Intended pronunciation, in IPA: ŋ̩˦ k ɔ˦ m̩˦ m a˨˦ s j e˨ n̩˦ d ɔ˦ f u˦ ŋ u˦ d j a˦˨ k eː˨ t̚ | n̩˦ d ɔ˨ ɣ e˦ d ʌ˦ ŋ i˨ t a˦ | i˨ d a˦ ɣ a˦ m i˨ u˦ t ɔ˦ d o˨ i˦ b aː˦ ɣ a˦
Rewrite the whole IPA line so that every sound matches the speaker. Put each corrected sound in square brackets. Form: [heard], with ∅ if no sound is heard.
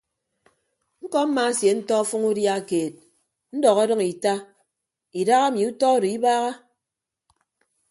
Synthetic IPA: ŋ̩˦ k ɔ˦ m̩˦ m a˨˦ s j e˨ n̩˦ [t] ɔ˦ f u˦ ŋ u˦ d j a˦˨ k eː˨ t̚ | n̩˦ d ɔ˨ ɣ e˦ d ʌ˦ ŋ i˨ t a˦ | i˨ d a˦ ɣ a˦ m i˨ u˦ t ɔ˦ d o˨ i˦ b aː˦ ɣ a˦

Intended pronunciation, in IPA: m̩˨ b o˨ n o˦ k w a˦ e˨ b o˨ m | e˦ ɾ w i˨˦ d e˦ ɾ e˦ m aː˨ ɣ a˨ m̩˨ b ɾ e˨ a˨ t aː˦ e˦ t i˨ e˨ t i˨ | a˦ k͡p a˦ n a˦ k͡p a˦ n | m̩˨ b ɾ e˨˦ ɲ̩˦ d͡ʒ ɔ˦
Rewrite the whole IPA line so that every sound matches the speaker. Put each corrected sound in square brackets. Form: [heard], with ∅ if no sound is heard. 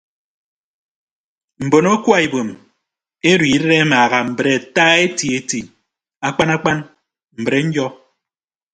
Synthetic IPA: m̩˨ b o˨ n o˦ k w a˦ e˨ b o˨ m | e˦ ɾ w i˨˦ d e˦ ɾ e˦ m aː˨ ɣ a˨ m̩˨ b ɾ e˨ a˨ t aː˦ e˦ t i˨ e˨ t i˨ | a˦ k͡p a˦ n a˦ k͡p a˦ n | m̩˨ b ɾ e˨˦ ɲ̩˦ d͡ʒ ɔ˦

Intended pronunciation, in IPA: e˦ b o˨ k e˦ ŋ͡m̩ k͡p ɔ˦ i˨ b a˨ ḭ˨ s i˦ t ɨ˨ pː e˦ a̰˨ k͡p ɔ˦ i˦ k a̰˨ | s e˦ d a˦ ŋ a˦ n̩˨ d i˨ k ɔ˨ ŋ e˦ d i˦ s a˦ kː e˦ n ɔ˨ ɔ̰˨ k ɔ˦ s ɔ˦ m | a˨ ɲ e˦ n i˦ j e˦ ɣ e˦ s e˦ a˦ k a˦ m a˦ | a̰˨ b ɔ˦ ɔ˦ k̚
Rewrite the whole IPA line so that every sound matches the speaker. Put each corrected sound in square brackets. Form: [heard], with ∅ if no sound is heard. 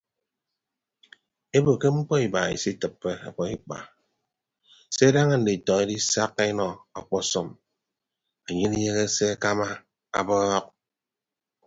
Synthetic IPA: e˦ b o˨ k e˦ ŋ͡m̩ k͡p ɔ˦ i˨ b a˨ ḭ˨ s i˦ t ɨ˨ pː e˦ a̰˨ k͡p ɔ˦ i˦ [k͡p] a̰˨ | s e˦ d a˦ ŋ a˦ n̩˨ d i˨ [t] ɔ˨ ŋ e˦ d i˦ s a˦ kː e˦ n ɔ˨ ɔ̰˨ [k͡p] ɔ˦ s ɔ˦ m | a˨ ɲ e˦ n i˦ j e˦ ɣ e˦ s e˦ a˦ k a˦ m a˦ | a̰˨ b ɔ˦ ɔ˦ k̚

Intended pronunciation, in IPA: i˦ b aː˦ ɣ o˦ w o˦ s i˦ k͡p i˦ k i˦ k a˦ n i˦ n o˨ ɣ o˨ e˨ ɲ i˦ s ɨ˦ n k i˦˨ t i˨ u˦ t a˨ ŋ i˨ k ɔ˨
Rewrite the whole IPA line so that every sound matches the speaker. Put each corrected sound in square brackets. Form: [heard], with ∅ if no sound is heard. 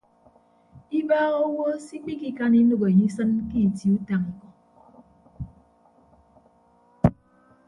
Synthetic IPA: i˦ b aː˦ ɣ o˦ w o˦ s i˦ k͡p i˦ k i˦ k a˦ n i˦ n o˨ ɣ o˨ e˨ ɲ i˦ s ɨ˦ n k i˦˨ t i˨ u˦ t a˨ ŋ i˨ k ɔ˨

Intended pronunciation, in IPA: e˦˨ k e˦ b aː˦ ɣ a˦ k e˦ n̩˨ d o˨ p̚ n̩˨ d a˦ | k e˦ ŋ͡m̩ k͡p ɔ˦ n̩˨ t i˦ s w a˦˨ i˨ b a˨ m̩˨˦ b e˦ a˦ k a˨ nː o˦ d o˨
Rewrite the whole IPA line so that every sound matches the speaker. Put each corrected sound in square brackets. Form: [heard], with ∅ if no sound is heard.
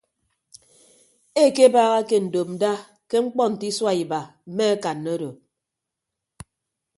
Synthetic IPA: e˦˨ k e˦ b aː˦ ɣ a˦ k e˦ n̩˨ d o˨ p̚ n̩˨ d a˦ | k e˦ ŋ͡m̩ k͡p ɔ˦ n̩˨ t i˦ s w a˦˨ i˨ b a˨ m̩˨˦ [m] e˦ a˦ k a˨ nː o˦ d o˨

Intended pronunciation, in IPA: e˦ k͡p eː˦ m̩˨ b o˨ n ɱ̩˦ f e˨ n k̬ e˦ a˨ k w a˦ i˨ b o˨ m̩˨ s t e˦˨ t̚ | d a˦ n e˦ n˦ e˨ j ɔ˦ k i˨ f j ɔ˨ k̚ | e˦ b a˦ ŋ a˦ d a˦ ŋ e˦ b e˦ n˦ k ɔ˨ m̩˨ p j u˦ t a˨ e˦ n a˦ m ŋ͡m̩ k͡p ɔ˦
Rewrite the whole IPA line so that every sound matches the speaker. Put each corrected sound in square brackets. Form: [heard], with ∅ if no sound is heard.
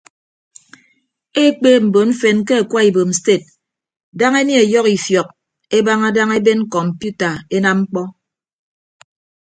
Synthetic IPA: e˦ k͡p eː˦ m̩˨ b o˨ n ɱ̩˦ f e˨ n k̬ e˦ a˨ k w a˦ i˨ b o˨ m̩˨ s t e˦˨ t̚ | d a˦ [ŋ] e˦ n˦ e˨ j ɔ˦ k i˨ f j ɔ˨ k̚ | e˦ b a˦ ŋ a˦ d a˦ ŋ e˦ b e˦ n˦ k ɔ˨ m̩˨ p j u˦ t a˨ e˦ n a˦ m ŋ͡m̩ k͡p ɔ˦

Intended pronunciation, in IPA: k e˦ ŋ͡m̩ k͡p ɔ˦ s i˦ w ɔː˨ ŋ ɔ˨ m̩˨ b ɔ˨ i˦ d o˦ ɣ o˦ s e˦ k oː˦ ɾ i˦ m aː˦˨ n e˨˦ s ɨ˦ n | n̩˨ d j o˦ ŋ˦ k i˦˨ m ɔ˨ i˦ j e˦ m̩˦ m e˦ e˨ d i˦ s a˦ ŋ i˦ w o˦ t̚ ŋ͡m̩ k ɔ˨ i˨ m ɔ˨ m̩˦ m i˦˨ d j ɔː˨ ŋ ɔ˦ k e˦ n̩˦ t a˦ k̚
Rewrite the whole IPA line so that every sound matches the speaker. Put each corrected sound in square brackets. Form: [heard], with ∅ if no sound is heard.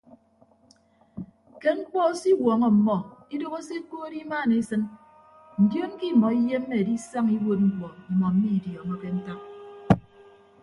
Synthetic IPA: k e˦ ŋ͡m̩ k͡p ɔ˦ s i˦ w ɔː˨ ŋ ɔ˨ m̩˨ [m] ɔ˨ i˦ d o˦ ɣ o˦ s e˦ k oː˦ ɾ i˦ m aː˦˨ n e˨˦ s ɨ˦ n | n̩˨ d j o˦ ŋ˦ k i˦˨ m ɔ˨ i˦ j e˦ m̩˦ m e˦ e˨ d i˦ s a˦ ŋ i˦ w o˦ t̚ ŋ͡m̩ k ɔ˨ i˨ m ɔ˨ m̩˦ m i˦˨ d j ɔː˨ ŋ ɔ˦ k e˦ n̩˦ t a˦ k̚

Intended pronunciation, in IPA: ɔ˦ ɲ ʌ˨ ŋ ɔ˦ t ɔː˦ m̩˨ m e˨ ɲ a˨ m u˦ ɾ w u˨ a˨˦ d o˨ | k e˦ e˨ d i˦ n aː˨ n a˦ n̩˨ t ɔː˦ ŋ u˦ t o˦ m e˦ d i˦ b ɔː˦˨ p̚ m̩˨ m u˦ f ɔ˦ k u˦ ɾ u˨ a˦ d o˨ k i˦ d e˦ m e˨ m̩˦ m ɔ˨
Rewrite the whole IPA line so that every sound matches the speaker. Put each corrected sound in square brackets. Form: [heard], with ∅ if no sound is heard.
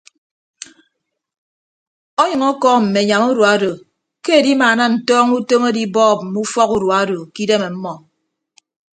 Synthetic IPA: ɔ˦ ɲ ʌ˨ ŋ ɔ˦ [k] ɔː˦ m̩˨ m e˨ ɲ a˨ m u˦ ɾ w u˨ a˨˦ d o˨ | k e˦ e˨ d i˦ [m] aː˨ n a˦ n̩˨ t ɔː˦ ŋ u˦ t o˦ m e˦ d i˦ b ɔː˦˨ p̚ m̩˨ m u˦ f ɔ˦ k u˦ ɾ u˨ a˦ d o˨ k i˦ d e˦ m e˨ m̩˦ m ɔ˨

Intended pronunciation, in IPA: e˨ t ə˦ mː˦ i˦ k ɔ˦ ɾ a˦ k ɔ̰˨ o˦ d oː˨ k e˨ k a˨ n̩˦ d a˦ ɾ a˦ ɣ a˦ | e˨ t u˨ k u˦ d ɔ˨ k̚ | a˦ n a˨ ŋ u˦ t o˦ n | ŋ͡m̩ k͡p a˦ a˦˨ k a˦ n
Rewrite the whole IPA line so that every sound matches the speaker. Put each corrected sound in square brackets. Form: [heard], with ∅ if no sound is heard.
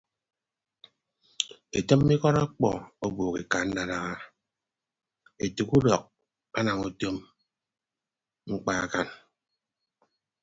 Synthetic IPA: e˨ t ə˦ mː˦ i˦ k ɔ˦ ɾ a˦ [k͡p] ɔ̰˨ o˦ [b] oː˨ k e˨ k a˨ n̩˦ d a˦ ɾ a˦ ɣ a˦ | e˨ t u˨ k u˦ d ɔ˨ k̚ | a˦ n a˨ ŋ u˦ t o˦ [m] | ŋ͡m̩ k͡p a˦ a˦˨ k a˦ n

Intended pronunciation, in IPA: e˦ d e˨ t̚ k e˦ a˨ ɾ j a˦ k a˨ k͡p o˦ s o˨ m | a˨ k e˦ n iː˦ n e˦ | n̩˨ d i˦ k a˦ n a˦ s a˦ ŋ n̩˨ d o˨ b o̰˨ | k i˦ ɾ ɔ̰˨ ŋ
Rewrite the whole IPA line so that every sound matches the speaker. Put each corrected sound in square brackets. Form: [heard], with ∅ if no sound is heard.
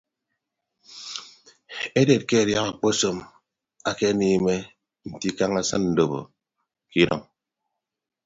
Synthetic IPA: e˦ d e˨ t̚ k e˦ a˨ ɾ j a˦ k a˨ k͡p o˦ s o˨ m | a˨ k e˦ n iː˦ [m] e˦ | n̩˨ [t] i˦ k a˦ [ŋ] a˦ s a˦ [n] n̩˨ d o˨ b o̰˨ | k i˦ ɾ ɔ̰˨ ŋ

